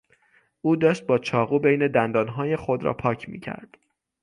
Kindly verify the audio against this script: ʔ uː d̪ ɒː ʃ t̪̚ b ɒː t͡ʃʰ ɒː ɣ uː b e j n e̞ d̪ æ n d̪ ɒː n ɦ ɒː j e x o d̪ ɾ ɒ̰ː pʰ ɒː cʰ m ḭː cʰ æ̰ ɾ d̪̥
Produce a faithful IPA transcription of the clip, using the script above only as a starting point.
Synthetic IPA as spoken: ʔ uː d̪ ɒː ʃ t̪̚ b ɒː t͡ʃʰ ɒː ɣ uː b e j n e̞ d̪ æ n d̪ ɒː n ɦ ɒː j e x o d̪ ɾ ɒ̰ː pʰ ɒː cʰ m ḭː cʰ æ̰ ɾ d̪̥

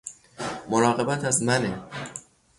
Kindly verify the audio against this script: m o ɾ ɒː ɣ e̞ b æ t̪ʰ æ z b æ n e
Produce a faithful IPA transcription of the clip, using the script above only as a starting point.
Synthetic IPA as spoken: m o ɾ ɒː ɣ e̞ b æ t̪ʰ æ z m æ n e

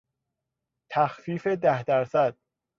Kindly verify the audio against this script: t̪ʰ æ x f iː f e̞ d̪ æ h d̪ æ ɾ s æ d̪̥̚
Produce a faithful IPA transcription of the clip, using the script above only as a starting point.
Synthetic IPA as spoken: t̪ʰ æ x f iː f e̞ d̪ æ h d̪ æ ɾ s æ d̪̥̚

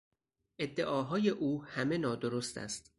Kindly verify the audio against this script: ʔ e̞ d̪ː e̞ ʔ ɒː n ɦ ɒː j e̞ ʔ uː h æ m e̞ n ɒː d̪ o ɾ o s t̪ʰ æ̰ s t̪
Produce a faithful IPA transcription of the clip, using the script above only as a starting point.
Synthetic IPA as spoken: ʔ e̞ d̪ː e̞ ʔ ɒː ɦ ɒː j e̞ ʔ uː h æ m e̞ n ɒː d̪ o ɾ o s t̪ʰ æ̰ s t̪

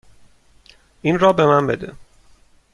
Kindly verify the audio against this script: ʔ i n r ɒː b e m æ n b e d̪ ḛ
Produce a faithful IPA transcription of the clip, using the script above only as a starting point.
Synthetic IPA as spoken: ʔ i n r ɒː b e m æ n b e d̪ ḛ

